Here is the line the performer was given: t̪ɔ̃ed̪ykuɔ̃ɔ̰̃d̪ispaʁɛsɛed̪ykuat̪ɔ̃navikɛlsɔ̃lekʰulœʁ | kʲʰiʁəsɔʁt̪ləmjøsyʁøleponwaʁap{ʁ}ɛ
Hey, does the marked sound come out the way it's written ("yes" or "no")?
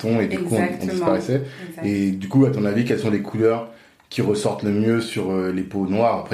no